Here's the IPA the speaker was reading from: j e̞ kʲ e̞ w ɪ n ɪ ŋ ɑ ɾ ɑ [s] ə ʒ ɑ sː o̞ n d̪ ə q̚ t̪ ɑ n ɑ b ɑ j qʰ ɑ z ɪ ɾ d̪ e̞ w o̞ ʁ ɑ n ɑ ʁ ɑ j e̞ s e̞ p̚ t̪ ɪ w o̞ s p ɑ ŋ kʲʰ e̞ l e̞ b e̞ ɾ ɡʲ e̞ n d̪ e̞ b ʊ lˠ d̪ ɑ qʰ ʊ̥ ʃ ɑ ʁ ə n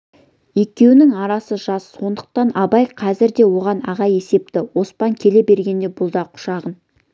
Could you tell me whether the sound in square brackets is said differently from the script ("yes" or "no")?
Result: no